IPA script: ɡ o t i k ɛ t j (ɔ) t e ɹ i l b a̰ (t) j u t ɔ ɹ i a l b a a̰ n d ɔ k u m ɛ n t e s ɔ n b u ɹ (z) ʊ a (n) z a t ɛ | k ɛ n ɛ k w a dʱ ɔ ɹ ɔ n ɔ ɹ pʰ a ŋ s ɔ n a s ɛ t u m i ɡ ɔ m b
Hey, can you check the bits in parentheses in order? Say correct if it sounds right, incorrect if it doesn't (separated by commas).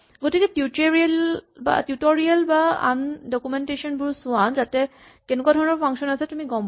incorrect, correct, incorrect, correct